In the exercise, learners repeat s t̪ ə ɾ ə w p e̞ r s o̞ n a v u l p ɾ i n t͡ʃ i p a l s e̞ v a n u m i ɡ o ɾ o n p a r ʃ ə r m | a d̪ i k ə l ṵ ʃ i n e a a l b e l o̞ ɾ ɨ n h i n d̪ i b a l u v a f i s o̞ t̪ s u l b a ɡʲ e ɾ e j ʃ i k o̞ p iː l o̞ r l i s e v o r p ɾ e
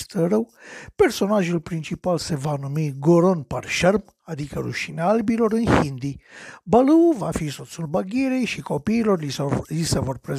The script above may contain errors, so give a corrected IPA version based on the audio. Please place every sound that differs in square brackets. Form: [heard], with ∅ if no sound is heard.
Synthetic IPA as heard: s t̪ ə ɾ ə w p e̞ r s o̞ n a [ʒ] u l p ɾ i n t͡ʃ i p a l s e̞ v a n u m i ɡ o ɾ o n p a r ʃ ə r m | a d̪ i k ə [ɾ] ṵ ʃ i n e a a l b [i] l o̞ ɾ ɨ n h i n d̪ i b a l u v a f i s o̞ t̪ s u l b a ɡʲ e ɾ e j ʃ i k o̞ p iː l o̞ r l i s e v o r p ɾ e